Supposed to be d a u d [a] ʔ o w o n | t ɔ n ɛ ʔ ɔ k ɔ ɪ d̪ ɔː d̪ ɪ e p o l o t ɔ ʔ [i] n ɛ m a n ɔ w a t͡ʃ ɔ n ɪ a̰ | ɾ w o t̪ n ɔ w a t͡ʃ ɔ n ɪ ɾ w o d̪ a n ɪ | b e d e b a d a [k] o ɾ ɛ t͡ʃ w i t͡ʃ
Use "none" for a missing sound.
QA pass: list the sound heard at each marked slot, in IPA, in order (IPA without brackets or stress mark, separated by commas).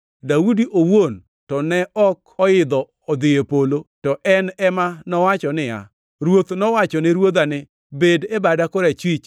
i, ɛ, k